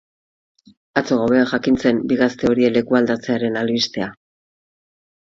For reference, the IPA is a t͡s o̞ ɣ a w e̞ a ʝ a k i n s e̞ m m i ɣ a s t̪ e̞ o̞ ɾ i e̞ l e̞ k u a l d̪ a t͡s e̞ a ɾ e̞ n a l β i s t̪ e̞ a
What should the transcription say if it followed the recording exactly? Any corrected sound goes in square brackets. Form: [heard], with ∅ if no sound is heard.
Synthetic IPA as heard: a t͡s o̞ ɣ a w e̞ a ʝ a k i n [t͡s] e̞ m [b] i ɣ a s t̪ e̞ o̞ ɾ i e̞ l e̞ k u a l d̪ a t͡s e̞ a ɾ e̞ n a l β i s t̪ e̞ a